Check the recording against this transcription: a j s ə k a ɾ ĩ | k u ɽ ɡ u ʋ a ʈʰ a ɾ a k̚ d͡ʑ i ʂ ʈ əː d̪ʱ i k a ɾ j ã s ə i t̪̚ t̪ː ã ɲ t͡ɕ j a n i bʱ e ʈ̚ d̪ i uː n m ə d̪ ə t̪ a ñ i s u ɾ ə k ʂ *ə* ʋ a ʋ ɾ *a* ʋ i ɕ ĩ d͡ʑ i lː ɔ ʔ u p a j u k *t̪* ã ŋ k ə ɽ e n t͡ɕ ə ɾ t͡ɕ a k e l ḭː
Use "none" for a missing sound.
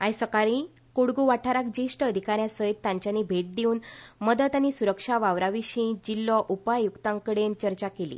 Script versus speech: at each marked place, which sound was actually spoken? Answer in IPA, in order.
a, a, t̪

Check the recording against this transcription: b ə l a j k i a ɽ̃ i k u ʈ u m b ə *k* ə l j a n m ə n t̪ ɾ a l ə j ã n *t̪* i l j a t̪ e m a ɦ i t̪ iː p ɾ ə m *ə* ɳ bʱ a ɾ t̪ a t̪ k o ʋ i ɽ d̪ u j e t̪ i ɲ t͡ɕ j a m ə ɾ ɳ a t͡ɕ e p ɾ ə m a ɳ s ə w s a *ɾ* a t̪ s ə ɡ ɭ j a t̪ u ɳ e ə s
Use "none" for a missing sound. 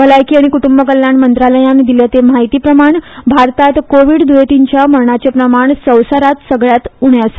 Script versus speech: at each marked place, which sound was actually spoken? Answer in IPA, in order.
k, d̪, a, ɾ

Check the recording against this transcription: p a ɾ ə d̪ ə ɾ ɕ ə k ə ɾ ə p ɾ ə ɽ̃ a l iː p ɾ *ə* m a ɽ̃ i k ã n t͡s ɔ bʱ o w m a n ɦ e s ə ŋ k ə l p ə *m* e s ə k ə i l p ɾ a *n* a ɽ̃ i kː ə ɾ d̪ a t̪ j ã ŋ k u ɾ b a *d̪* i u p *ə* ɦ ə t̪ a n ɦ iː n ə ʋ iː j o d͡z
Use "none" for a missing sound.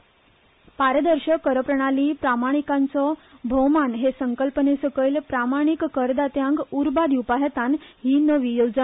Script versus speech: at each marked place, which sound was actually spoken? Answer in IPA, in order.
a, n, m, d̪, a

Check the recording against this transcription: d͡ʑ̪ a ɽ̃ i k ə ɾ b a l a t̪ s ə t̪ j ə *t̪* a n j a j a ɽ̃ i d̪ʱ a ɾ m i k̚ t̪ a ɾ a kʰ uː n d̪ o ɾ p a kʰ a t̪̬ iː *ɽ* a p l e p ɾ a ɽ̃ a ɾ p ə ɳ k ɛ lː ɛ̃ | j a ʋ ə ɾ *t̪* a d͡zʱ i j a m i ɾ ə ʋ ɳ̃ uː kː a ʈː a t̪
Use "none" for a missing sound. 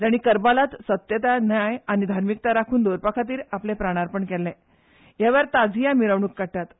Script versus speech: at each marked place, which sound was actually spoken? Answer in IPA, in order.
t̪, ɾ, t̪

